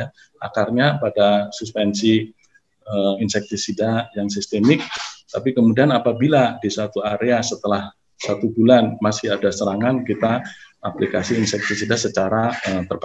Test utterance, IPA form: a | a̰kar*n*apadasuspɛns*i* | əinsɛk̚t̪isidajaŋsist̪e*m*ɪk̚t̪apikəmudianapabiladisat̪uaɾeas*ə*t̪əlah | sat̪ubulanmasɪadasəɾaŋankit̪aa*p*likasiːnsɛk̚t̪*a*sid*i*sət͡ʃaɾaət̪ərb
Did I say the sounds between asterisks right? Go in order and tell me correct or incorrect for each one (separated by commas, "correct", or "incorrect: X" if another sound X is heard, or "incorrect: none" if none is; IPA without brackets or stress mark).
incorrect: ɲ, correct, correct, correct, correct, incorrect: i, incorrect: a